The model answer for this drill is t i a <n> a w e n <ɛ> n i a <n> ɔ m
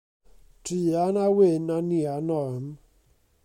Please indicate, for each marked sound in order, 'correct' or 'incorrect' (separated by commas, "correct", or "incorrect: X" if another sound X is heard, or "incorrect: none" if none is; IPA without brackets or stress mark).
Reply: correct, incorrect: a, correct